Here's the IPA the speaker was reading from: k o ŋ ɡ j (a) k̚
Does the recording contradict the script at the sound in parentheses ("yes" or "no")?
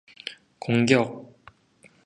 yes